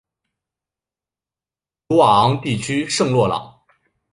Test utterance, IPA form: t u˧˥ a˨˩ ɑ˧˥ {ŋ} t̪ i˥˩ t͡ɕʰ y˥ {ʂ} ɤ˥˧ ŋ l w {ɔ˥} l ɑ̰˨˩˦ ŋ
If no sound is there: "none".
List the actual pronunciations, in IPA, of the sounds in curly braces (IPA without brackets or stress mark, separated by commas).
ŋ, ʂ, ɔ˥˩